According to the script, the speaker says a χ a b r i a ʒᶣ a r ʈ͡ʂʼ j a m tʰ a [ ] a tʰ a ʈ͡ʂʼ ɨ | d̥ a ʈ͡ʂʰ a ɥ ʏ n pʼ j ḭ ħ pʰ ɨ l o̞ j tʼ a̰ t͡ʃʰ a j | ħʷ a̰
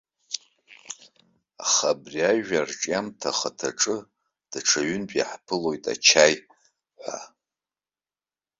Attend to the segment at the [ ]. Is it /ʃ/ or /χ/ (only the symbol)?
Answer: χ